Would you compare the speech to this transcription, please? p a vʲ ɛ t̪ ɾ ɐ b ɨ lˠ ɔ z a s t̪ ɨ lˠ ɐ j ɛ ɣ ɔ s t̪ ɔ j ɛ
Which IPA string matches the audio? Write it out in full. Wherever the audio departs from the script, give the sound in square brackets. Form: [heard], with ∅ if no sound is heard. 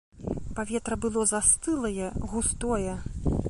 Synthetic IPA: p a vʲ ɛ t̪ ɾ ɐ b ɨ lˠ ɔ z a s t̪ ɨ lˠ ɐ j ɛ ɣ [u] s t̪ ɔ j ɛ

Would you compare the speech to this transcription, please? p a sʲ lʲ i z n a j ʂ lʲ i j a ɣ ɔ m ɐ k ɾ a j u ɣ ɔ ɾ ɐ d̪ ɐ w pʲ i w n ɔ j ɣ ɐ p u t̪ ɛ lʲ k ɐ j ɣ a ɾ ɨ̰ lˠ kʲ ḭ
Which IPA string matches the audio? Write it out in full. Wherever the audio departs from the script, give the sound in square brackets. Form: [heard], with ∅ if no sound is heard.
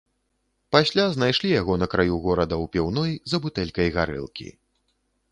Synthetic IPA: p a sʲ lʲ [a] z n a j ʂ lʲ i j a ɣ ɔ [n] ɐ k ɾ a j u ɣ ɔ ɾ ɐ d̪ ɐ w pʲ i w n ɔ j [z] ɐ [b] u t̪ ɛ lʲ k ɐ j ɣ a ɾ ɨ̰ lˠ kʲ ḭ

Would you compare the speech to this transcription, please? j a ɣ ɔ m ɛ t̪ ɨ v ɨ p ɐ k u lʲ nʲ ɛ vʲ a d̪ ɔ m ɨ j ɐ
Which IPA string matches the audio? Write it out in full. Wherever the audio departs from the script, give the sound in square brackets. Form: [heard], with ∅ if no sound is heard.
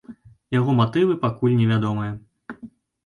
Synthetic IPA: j a ɣ ɔ m [a] t̪ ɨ v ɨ p [a] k u lʲ nʲ ɛ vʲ a d̪ ɔ m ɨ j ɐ

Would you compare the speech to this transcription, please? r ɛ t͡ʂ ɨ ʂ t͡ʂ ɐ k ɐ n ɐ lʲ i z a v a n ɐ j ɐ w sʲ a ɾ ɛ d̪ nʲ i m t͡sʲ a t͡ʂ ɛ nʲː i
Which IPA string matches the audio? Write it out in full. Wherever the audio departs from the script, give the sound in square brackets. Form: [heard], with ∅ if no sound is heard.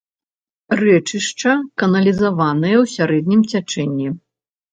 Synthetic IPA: r ɛ t͡ʂ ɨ ʂ t͡ʂ ɐ k ɐ n ɐ lʲ i z a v a n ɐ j ɐ w sʲ a ɾ ɛ d̪ nʲ i m t͡sʲ a t͡ʂ ɛ nʲː i

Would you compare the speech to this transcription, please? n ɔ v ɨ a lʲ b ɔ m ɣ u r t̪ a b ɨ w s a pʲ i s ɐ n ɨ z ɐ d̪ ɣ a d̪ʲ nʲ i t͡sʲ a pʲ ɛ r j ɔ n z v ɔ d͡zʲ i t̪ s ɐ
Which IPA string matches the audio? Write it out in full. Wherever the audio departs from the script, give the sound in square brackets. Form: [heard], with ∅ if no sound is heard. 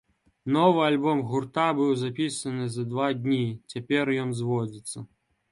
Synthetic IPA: n ɔ v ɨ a lʲ b ɔ m ɣ u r t̪ a b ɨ w [z] a pʲ i s ɐ n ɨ z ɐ d̪ [v] a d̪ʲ nʲ i t͡sʲ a pʲ ɛ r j ɔ n z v ɔ d͡zʲ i t̪ [sː] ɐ

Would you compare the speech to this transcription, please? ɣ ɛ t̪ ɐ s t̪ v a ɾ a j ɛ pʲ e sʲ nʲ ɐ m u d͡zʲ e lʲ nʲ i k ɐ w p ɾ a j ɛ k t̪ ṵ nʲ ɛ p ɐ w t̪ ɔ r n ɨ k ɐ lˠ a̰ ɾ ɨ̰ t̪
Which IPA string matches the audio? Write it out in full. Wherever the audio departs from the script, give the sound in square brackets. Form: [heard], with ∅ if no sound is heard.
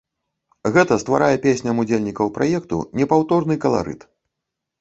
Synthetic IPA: ɣ ɛ t̪ ɐ s t̪ v a ɾ a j ɛ pʲ e sʲ nʲ ɐ m u d͡zʲ e lʲ nʲ i k ɐ w p ɾ a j ɛ k t̪ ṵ nʲ ɛ p [a] w t̪ ɔ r n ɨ k ɐ lˠ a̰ ɾ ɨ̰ t̪

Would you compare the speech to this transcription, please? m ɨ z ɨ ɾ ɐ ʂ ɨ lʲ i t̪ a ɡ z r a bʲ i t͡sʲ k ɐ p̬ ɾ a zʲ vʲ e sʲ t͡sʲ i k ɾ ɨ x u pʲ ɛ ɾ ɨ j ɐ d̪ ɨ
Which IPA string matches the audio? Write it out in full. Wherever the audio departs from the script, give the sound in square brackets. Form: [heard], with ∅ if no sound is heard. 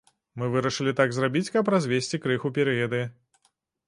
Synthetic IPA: m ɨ [v] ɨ ɾ ɐ ʂ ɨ lʲ i t̪ a ɡ z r a bʲ i t͡sʲ k ɐ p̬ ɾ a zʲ vʲ e sʲ t͡sʲ i k ɾ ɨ x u pʲ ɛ ɾ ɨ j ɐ d̪ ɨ

